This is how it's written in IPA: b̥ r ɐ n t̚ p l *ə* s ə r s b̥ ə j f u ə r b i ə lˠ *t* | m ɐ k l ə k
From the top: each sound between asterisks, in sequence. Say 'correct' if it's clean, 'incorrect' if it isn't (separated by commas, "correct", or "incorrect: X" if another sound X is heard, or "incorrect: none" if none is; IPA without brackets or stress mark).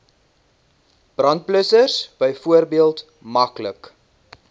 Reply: correct, correct